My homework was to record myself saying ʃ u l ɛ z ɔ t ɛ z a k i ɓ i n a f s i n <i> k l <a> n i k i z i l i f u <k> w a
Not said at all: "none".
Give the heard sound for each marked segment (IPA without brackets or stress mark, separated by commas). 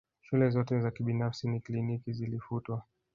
i, i, t